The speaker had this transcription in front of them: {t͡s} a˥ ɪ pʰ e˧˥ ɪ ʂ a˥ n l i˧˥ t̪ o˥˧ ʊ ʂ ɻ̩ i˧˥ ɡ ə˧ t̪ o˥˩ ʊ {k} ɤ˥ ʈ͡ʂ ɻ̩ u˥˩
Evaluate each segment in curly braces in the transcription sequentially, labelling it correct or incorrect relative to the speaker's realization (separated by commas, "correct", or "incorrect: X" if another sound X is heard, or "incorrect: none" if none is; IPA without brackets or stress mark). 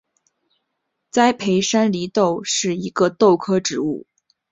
correct, incorrect: kʰ